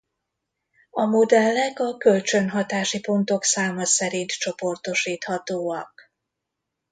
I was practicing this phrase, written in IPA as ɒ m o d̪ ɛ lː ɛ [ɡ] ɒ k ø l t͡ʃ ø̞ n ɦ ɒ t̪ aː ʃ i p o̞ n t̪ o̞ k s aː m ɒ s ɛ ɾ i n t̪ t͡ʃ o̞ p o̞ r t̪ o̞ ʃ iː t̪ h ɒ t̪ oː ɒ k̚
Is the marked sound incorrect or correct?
incorrect